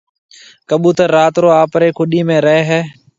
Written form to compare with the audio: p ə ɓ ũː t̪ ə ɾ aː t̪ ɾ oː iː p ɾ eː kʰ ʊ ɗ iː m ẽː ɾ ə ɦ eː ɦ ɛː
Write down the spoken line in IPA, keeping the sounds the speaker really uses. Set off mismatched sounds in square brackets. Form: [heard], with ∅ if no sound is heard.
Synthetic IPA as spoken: [k] ə ɓ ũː t̪ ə ɾ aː t̪ ɾ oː [aː] p ɾ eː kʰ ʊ ɗ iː m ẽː ɾ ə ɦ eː ɦ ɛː